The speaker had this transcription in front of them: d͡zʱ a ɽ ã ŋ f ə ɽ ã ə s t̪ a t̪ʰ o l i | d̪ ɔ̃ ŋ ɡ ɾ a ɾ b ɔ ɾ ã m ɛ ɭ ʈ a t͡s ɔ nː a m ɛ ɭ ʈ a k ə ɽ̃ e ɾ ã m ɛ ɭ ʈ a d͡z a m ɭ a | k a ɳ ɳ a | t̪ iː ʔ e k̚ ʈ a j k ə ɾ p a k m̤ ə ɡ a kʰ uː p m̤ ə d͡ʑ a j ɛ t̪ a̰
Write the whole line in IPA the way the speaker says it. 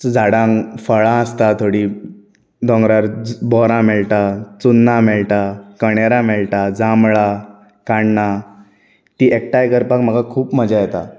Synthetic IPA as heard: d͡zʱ a ɽ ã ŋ f ə ɭ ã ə s t̪ a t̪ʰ o ɽ i | d̪ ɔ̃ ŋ ɡ ɾ a ɾ b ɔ ɾ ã m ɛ ɭ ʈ a t͡s u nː a m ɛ ɭ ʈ a k ə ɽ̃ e ɾ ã m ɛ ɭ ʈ a d͡z a m ɭ a | k a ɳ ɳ a | t̪ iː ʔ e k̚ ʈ a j k ə ɾ p a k m̤ ə ɡ a kʰ uː p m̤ ə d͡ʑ a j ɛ t̪ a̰